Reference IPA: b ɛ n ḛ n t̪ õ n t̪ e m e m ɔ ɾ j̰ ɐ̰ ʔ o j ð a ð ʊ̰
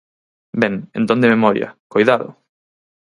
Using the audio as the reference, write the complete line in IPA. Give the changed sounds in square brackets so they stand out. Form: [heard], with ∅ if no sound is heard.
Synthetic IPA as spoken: b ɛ [ŋ] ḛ n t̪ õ n [d̪] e m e m ɔ ɾ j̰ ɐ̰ [k] o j ð a ð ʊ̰